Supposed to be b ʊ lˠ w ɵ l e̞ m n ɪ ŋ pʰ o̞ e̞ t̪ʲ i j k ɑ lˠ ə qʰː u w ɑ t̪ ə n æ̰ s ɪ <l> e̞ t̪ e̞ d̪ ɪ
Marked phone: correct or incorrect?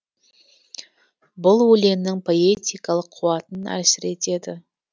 incorrect